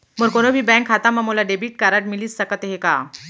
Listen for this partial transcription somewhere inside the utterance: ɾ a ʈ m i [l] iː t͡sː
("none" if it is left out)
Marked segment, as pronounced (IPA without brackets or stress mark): l